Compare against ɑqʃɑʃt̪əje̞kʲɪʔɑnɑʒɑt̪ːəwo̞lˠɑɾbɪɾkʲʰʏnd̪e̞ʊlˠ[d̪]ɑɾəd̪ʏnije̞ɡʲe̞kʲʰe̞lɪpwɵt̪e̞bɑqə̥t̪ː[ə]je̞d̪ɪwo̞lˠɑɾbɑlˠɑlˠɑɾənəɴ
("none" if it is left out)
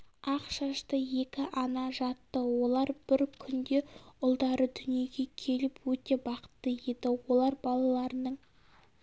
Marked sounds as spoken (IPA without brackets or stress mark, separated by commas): d̪, ə